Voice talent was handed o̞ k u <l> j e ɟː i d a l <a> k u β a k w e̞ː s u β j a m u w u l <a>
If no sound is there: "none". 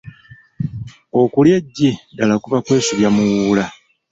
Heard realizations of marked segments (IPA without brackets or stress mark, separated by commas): l, a, a